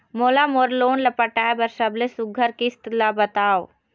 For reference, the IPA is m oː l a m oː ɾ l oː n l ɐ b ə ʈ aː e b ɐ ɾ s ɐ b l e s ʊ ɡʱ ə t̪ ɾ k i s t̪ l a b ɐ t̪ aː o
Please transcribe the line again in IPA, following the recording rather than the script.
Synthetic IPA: m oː l a m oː ɾ l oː n l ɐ p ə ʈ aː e b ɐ ɾ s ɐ b l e s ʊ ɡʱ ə ɾ k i s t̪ l a b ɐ t̪ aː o